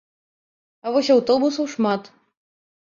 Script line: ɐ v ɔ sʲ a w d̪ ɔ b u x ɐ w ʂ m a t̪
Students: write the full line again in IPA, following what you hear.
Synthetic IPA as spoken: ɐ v ɔ sʲ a w t̪ ɔ b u s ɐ w ʂ m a t̪